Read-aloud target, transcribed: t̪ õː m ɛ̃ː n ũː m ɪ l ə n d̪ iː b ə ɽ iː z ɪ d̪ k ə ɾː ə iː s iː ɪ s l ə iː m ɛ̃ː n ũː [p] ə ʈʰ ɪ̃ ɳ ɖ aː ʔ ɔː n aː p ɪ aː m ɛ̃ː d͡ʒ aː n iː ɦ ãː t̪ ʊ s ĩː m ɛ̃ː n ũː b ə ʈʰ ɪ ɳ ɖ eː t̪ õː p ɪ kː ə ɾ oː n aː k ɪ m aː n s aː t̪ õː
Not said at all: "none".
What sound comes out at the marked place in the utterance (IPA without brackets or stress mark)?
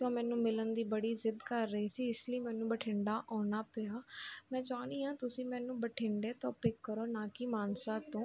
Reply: b